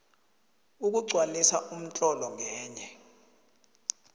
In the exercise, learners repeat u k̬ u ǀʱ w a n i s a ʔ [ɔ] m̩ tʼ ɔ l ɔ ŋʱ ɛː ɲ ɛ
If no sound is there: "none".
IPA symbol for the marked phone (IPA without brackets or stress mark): u